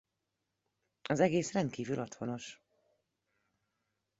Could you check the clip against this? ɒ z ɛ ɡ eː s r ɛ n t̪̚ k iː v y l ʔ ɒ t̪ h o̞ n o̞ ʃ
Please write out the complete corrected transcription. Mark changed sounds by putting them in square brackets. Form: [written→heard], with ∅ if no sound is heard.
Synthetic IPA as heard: ɒ z ɛ ɡ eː s r ɛ n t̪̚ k iː v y l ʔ ɒ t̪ h o̞ n o̞ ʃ